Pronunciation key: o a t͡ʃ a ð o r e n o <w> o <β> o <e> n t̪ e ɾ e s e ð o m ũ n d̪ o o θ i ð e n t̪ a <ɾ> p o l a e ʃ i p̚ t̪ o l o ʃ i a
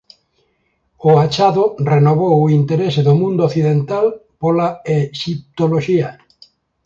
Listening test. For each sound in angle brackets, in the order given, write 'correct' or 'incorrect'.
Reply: incorrect: β, incorrect: w, incorrect: i, incorrect: l

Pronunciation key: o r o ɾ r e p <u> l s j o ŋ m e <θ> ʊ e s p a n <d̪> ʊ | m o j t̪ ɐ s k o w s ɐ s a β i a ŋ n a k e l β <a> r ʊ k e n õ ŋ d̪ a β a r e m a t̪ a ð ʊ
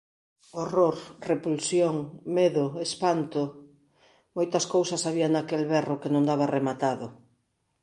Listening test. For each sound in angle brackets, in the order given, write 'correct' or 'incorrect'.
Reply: correct, incorrect: ð, incorrect: t̪, incorrect: ɛ

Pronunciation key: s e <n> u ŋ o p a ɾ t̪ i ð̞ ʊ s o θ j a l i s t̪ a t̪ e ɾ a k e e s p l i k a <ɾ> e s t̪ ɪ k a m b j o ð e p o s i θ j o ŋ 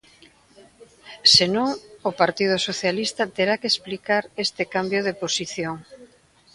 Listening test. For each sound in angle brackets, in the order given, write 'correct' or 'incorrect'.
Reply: correct, correct

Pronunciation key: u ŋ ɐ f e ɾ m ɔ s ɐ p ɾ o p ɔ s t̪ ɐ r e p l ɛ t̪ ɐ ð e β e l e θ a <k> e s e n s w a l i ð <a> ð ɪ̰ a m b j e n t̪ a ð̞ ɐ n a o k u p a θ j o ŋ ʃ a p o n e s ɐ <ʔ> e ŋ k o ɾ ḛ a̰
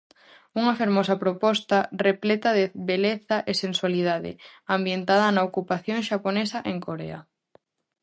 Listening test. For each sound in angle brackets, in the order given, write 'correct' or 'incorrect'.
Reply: incorrect: ʔ, correct, correct

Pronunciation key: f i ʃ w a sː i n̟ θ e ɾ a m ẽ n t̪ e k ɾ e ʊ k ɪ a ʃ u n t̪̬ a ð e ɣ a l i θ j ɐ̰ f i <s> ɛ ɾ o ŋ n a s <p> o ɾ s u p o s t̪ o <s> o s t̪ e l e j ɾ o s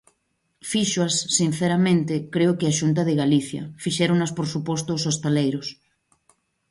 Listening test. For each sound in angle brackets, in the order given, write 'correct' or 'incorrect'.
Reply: incorrect: ʃ, correct, correct

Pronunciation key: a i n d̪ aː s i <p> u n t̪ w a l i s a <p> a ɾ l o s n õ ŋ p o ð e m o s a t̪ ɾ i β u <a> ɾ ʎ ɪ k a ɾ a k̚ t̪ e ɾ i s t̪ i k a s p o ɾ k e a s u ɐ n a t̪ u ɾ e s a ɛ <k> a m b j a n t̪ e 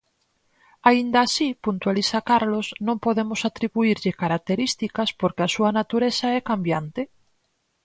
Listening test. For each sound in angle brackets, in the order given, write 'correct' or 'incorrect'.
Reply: correct, incorrect: k, incorrect: i, correct

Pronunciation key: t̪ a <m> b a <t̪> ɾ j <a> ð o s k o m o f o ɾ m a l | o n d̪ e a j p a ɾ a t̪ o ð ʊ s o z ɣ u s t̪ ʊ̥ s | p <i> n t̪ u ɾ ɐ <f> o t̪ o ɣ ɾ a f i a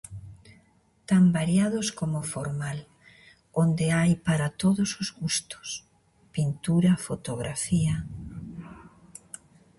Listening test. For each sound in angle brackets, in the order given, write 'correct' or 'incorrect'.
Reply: correct, incorrect: none, correct, correct, correct

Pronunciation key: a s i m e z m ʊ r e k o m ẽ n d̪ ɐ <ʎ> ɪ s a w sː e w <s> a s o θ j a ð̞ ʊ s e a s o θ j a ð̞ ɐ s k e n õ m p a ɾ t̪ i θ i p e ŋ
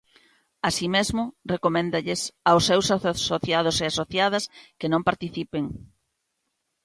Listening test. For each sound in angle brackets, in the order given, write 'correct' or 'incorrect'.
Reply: correct, correct

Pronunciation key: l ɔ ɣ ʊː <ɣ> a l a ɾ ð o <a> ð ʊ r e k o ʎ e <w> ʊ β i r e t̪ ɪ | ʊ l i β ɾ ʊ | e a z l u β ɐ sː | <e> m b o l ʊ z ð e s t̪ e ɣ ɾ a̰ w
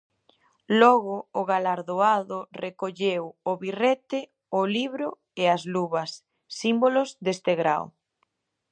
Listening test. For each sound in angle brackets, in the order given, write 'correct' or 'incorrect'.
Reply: correct, correct, correct, incorrect: i

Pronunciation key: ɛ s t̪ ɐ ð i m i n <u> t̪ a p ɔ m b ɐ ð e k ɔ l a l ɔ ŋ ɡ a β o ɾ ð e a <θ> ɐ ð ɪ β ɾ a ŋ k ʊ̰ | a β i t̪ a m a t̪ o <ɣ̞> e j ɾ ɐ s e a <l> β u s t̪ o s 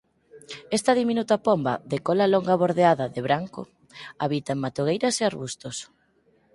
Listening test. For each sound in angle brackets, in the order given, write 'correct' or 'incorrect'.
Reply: correct, incorrect: ð, correct, incorrect: ɾ

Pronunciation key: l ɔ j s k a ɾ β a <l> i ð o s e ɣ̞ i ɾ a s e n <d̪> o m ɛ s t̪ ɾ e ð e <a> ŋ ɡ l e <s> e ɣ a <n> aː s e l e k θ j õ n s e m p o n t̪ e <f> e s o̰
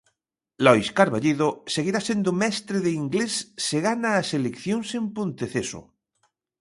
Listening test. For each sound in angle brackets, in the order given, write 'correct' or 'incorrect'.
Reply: incorrect: ʎ, correct, incorrect: i, incorrect: sː, correct, incorrect: θ

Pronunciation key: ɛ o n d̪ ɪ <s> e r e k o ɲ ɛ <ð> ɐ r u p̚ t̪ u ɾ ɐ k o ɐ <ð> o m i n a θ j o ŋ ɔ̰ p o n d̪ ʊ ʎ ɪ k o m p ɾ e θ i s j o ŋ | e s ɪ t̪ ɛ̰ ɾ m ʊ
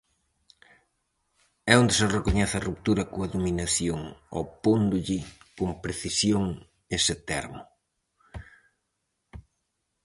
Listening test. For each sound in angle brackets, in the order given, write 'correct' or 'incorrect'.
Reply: correct, incorrect: θ, correct

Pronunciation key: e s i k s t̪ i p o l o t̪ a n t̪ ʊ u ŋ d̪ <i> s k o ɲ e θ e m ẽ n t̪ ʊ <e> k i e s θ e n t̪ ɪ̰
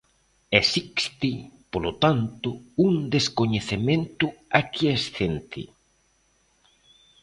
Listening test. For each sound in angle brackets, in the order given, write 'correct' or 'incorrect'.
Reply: incorrect: e, incorrect: a

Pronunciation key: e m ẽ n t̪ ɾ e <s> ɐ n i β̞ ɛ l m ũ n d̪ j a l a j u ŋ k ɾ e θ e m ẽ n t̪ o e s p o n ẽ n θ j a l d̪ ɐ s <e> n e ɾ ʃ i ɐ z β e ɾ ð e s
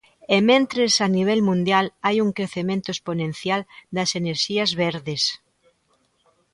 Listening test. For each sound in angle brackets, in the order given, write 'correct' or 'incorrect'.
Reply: correct, correct

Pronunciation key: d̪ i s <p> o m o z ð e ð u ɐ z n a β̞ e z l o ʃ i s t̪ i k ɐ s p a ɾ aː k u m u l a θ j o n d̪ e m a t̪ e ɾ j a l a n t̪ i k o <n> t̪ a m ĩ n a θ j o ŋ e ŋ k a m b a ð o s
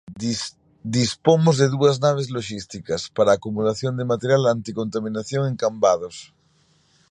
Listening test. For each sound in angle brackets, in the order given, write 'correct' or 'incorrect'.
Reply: correct, correct

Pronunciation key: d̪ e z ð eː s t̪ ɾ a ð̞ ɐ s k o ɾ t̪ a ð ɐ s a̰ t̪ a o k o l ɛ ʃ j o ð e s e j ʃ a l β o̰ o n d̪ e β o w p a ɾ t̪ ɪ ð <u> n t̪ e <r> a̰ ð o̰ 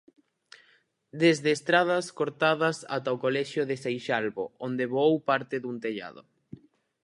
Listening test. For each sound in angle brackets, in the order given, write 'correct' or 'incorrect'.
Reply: correct, incorrect: ʎ

